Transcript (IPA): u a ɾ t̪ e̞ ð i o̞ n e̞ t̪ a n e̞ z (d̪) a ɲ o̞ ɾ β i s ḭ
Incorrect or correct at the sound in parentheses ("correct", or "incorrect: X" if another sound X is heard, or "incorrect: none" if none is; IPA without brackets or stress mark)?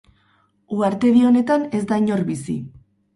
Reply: correct